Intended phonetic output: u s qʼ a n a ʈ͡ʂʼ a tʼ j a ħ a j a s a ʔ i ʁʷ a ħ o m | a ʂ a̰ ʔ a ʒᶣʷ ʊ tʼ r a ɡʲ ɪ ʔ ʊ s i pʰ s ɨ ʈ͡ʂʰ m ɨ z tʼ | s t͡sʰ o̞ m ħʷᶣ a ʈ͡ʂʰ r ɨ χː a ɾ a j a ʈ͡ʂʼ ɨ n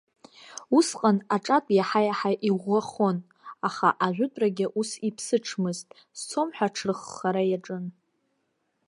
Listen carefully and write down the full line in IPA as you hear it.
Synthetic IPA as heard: u s qʼ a n a ʈ͡ʂʼ a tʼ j a ħ a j a ħ a ʔ i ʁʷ a χ o n | a χ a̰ ʔ a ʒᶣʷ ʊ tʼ r a ɡʲ ɪ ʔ u s i pʰ s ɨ ʈ͡ʂʰ m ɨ z tʼ | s t͡sʰ o̞ m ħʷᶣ a ʈ͡ʂʰ r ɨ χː a ɾ a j a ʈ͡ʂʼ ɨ n